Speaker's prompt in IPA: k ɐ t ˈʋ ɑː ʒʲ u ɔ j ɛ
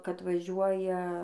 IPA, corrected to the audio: k ɐ t ˈʋ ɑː ʒʲ u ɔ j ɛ